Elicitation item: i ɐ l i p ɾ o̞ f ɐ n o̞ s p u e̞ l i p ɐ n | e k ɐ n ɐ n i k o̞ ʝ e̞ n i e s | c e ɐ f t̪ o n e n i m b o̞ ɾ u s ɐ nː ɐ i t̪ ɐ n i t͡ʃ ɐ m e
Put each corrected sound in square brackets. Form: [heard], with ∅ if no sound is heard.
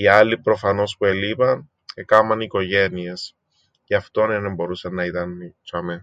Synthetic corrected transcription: i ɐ l i p ɾ o̞ f ɐ n o̞ s p u e̞ l i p ɐ n | e k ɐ [m] ɐ n i k o̞ ʝ e̞ n i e s | c e ɐ f t̪ o n e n [e] m b o̞ ɾ u s ɐ nː ɐ i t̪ ɐ n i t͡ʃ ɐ m e